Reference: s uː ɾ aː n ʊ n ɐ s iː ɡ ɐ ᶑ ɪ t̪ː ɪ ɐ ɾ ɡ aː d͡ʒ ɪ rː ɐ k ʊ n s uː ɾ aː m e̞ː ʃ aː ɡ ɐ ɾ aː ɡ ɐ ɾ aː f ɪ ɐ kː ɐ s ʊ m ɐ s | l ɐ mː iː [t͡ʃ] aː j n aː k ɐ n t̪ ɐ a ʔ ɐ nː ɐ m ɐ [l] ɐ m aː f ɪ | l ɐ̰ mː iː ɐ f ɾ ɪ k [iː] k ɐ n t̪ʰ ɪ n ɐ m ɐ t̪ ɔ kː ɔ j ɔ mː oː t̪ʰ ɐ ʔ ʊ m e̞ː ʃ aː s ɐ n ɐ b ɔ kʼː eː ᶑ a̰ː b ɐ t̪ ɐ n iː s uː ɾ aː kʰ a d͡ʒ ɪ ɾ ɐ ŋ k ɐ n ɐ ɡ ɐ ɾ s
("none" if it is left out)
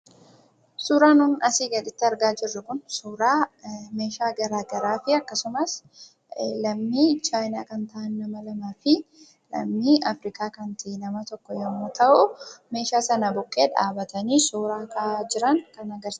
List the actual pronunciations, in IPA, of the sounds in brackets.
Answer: t͡ʃ, l, aː

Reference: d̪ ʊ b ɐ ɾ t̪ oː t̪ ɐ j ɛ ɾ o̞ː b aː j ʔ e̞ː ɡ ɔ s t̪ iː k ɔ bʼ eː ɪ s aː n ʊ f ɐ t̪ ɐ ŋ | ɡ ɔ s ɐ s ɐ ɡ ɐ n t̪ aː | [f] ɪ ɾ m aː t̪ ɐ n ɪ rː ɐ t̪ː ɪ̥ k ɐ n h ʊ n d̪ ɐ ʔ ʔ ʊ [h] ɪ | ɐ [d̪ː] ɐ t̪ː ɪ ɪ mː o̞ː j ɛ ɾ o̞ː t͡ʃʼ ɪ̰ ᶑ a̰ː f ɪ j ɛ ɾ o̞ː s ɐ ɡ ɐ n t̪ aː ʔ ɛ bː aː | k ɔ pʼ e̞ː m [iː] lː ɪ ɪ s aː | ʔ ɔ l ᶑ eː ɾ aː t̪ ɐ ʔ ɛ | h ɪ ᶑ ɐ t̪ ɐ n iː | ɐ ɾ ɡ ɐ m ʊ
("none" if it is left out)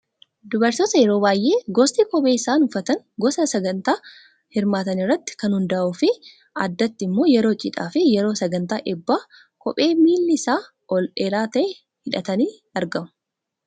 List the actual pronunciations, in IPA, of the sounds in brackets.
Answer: h, f, d̪ː, iː

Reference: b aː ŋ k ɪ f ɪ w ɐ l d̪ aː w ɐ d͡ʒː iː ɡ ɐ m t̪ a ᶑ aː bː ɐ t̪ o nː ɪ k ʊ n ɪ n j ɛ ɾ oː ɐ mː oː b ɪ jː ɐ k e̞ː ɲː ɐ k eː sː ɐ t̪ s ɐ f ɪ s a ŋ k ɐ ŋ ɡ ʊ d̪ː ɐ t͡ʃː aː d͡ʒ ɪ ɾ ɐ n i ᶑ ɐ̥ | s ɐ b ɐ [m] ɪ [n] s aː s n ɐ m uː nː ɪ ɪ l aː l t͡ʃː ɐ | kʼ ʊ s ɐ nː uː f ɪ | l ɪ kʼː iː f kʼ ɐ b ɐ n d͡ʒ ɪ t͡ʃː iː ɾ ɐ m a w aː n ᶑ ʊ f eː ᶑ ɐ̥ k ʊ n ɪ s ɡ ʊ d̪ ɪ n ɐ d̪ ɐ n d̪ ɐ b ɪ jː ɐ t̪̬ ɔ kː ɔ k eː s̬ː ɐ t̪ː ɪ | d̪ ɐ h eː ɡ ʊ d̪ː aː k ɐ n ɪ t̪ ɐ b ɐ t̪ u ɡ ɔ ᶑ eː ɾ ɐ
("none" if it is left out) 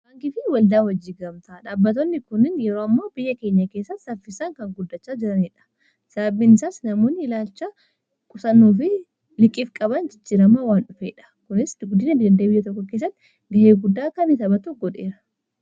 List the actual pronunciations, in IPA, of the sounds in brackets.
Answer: b, n

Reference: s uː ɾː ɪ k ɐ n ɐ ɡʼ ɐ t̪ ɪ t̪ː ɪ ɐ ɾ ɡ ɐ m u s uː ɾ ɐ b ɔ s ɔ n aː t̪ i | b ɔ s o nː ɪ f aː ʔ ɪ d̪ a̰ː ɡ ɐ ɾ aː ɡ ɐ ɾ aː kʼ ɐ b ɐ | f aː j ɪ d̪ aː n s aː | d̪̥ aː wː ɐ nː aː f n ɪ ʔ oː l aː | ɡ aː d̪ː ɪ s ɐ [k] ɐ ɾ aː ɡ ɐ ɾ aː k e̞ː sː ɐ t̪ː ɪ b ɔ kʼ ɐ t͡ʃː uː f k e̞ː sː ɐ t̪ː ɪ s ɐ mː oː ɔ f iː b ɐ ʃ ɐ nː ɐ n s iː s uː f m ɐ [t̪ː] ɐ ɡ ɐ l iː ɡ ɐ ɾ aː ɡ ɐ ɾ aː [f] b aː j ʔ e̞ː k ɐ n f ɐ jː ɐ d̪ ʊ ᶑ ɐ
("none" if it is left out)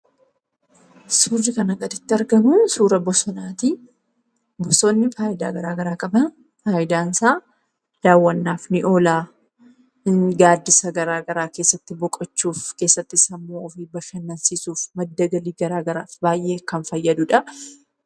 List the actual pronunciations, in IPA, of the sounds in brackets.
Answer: ɡ, d̪ː, f

